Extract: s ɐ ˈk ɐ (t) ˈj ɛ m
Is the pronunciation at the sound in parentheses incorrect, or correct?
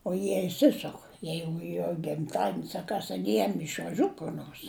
incorrect